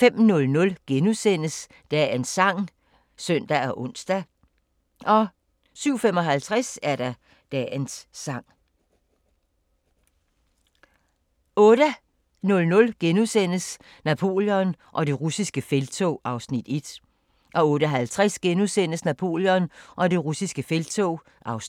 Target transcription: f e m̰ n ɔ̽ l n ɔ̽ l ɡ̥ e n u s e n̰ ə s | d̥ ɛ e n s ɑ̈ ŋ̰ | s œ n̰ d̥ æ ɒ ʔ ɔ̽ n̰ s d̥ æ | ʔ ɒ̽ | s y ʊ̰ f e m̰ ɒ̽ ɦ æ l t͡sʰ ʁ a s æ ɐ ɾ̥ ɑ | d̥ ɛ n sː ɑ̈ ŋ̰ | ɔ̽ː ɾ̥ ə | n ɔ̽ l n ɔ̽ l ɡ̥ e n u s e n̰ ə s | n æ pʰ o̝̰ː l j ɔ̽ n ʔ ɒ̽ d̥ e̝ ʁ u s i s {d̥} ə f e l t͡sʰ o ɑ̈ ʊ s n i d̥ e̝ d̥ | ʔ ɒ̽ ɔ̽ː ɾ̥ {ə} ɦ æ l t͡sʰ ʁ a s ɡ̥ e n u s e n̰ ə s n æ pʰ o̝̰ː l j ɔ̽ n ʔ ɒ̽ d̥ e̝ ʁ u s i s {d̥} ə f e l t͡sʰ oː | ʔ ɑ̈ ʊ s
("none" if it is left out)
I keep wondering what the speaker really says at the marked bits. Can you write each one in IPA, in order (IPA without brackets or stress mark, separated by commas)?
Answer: ɡ̥, ə, ɡ̥